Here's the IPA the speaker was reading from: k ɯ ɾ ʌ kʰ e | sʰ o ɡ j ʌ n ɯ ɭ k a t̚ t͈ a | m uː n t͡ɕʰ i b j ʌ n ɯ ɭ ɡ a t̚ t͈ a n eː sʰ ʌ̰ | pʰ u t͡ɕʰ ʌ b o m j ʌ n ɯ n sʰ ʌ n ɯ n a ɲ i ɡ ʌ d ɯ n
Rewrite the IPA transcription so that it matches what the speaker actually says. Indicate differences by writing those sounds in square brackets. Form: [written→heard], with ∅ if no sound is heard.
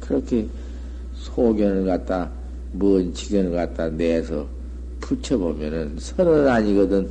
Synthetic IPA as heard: k ɯ ɾ ʌ kʰ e | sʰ o ɡ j ʌ n ɯ ɭ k a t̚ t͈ a | m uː n t͡ɕʰ i [b→ɡ] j ʌ n ɯ ɭ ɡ a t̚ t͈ a n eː sʰ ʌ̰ | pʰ u t͡ɕʰ ʌ b o m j ʌ n ɯ n sʰ ʌ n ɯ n a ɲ i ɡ ʌ d ɯ n